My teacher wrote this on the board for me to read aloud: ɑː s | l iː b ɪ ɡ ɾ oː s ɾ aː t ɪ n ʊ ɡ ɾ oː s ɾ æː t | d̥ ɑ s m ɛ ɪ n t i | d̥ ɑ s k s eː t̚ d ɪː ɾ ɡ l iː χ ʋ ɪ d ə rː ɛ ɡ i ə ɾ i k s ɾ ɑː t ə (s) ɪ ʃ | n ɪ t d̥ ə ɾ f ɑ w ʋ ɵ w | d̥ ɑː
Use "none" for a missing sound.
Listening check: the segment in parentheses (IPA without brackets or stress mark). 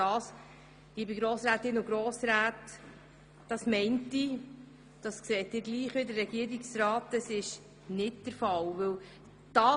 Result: s